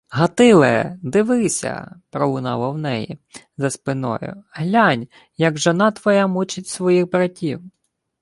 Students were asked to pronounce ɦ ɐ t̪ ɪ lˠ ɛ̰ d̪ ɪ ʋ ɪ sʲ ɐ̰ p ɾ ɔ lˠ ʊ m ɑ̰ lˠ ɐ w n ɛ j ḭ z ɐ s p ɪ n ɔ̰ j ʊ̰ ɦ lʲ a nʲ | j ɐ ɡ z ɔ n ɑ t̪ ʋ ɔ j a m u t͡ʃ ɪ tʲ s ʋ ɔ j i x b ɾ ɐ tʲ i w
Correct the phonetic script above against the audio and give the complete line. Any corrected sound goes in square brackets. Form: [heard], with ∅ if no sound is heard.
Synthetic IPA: ɦ ɐ t̪ ɪ lˠ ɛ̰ d̪ ɪ ʋ ɪ sʲ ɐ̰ p ɾ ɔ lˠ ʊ [n] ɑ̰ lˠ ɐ w n ɛ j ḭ z ɐ s p ɪ n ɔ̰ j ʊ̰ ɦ lʲ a nʲ | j ɐ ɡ [ʒ] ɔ n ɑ t̪ ʋ ɔ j a m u t͡ʃ ɪ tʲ s ʋ ɔ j i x b ɾ ɐ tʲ i w